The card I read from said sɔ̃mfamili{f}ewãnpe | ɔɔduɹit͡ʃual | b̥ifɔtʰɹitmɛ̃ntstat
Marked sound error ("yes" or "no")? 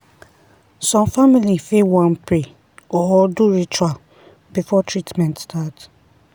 no